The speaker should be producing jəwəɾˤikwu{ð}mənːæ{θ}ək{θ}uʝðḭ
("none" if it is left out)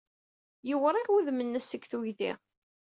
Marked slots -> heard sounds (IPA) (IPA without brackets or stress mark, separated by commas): ð, s, θ